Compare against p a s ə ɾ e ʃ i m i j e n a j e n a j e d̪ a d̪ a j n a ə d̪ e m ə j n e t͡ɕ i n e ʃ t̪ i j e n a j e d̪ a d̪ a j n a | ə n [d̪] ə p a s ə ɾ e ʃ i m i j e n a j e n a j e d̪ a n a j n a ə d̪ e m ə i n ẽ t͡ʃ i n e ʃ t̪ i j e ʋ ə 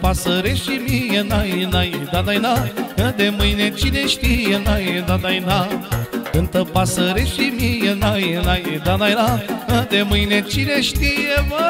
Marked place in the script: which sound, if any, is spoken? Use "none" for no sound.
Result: t̪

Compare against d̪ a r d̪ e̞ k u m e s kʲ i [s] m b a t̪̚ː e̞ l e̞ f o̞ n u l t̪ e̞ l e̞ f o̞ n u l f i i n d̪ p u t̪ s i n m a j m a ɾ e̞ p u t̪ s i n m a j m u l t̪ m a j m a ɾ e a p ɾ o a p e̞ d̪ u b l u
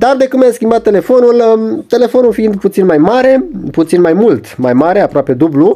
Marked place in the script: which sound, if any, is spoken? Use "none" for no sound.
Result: none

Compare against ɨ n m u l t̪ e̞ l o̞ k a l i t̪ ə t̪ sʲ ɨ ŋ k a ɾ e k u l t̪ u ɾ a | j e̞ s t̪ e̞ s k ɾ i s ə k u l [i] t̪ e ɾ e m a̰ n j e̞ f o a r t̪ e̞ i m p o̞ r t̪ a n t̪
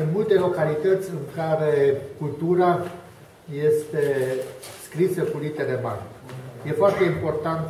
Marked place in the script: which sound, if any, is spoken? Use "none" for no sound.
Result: i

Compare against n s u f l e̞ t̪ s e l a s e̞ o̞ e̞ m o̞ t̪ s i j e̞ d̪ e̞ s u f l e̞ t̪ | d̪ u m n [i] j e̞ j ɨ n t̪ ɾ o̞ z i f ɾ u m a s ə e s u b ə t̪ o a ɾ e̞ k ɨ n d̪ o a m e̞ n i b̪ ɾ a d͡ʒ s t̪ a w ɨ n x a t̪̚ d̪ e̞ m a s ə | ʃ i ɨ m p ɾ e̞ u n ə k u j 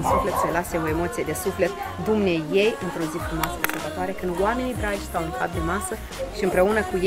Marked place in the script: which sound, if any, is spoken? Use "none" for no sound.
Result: e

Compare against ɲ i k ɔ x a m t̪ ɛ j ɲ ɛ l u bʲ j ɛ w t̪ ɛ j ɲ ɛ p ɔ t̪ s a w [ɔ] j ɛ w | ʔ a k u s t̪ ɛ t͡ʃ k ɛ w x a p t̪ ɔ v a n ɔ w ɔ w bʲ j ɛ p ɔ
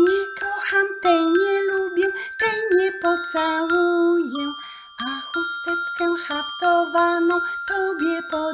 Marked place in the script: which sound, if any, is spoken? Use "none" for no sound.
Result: u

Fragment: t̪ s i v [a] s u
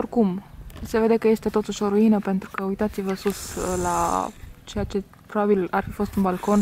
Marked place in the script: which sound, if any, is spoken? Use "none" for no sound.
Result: ə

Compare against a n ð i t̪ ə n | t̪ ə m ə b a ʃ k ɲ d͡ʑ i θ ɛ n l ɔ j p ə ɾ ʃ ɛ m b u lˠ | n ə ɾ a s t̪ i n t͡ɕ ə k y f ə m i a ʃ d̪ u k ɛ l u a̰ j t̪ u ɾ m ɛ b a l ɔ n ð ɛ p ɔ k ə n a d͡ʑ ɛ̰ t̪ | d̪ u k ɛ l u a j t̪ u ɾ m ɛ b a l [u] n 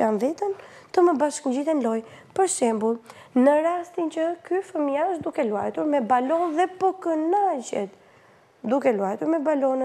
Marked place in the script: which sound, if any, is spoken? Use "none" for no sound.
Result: ɔ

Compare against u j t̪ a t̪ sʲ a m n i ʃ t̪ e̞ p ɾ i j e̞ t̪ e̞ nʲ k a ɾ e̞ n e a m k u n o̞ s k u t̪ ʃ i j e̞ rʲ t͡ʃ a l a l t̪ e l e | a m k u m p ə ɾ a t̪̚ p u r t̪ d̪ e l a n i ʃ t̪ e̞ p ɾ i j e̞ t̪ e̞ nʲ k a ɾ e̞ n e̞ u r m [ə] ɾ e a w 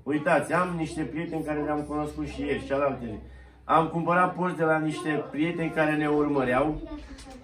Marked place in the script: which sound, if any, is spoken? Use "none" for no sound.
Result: ə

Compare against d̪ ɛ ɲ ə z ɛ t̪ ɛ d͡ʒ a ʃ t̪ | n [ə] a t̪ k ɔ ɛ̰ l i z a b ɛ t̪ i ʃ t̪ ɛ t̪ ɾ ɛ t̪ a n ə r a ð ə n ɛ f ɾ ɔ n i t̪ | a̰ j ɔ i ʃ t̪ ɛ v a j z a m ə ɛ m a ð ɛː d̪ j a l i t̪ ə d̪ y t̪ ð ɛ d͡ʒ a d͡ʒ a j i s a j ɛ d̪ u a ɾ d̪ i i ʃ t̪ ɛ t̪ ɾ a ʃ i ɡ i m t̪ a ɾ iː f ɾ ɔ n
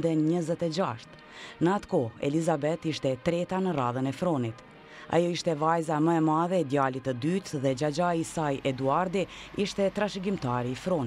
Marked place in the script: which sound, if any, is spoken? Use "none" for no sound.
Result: ə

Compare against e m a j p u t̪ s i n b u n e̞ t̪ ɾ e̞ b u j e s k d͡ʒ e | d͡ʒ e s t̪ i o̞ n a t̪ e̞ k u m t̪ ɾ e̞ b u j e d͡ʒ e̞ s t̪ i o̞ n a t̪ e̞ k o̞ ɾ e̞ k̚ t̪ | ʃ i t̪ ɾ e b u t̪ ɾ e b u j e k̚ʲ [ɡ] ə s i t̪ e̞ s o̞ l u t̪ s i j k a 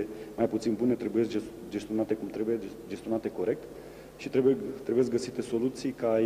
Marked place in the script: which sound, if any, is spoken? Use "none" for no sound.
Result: ɡ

